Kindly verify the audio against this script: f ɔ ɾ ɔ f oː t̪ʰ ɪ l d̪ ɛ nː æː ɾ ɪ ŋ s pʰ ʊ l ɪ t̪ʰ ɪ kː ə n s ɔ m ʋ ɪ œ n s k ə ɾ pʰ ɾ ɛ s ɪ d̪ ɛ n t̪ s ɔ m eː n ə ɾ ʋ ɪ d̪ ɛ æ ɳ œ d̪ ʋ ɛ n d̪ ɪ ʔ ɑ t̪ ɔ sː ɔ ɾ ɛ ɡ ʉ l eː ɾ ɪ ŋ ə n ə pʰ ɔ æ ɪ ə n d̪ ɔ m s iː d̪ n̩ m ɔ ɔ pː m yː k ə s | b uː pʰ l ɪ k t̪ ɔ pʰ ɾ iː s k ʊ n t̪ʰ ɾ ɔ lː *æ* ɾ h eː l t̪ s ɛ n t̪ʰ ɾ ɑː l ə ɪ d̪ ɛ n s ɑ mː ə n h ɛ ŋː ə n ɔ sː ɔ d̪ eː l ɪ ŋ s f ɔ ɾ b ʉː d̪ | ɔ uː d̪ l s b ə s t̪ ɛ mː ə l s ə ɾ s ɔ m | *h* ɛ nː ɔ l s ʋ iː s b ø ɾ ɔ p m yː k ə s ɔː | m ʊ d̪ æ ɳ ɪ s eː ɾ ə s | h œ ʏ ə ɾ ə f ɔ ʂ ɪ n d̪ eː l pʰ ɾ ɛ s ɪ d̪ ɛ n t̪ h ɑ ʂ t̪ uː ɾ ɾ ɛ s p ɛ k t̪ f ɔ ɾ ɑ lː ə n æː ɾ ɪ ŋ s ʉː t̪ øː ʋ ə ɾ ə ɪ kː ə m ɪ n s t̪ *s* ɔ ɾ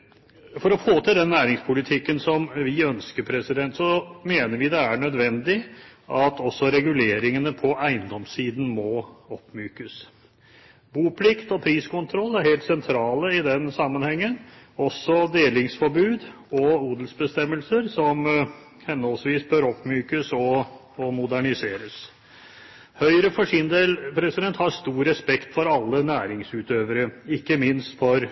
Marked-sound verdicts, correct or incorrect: correct, correct, incorrect

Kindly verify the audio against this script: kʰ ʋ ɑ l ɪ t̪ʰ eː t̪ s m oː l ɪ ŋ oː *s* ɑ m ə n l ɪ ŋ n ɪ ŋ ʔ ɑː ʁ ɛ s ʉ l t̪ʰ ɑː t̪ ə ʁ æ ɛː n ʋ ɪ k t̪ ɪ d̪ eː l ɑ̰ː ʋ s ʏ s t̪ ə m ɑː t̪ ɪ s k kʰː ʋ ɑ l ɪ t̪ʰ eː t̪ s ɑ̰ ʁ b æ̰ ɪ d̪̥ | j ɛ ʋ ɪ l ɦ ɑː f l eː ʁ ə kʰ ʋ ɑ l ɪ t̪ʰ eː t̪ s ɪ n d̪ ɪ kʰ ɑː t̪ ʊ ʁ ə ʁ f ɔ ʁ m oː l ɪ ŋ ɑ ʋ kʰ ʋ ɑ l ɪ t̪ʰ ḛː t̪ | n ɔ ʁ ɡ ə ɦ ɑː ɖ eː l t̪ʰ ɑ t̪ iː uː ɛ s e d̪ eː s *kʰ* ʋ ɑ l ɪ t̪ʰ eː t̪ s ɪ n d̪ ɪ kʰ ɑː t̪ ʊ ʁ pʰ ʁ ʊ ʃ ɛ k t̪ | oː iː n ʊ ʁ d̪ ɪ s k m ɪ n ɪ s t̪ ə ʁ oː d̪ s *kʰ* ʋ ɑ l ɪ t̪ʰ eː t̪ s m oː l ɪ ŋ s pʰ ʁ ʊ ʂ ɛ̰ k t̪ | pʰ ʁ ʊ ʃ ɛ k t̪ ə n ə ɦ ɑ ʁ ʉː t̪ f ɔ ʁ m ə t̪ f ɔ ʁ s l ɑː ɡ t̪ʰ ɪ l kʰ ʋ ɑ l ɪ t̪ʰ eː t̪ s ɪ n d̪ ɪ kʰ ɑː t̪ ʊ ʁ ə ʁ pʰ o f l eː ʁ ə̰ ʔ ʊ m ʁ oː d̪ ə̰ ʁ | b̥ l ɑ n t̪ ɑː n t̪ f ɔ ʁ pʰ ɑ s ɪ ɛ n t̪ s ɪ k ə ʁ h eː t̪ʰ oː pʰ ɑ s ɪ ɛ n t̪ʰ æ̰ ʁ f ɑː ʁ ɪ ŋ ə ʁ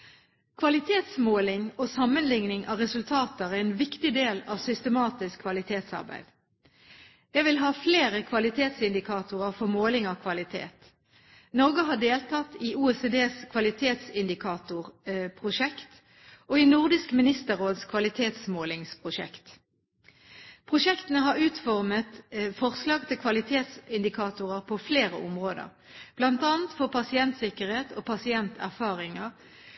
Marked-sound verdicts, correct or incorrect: correct, correct, correct

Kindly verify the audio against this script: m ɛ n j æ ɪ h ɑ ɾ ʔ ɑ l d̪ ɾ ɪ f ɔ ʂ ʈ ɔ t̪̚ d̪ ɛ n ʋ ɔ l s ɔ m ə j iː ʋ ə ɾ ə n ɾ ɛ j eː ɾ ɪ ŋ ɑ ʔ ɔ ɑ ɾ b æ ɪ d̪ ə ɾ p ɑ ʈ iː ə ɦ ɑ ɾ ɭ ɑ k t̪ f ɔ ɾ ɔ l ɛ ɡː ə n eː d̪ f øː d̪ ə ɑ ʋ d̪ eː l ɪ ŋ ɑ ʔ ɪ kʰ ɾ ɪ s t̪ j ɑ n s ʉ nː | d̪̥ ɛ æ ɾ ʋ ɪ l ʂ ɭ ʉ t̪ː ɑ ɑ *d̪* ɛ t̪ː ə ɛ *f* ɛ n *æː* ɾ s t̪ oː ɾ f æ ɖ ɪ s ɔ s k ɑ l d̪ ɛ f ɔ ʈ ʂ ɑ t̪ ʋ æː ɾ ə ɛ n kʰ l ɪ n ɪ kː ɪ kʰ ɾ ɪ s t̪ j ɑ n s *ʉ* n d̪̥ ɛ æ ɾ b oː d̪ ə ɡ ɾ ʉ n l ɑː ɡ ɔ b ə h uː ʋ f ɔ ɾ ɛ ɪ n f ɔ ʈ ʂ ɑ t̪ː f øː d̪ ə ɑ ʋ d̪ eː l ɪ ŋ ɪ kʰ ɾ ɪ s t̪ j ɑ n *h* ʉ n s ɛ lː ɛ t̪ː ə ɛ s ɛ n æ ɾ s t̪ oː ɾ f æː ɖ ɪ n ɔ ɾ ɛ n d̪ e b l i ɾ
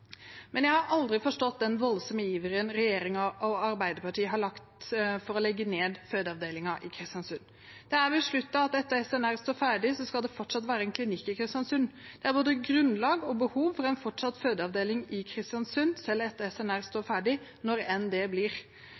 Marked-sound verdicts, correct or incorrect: incorrect, incorrect, incorrect, correct, incorrect

